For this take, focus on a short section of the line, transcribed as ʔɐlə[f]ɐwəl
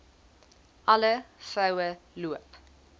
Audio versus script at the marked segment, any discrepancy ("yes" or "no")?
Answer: no